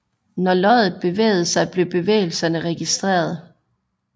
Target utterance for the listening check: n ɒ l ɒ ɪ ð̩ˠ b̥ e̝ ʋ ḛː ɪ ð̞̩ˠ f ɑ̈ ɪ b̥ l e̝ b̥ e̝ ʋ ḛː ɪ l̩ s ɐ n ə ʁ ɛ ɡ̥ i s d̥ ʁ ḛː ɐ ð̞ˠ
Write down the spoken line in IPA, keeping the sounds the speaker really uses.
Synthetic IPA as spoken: n ɒ l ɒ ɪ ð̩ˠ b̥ e̝ ʋ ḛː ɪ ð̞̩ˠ s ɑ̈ ɪ b̥ l e̝ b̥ e̝ ʋ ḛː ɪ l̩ s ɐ n ə ʁ ɛ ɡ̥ i s d̥ ʁ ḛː ɐ ð̞ˠ